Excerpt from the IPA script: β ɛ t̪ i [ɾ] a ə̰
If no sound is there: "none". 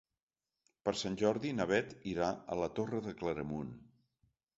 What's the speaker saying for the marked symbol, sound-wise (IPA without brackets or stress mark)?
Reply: ɾ